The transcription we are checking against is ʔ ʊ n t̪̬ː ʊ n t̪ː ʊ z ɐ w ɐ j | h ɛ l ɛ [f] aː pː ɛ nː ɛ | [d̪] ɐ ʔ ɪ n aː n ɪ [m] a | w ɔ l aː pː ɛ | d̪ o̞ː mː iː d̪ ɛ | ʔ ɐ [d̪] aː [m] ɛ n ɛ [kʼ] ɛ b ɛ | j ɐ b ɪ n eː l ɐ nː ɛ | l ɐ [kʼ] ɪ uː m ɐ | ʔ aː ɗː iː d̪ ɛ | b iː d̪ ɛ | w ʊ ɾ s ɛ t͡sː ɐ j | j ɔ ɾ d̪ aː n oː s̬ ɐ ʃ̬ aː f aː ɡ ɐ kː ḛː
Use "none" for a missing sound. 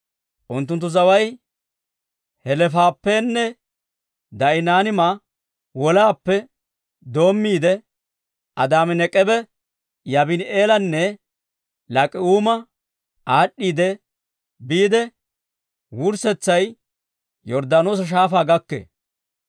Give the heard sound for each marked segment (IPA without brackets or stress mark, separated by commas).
f, d̪, m, d̪, m, kʼ, kʼ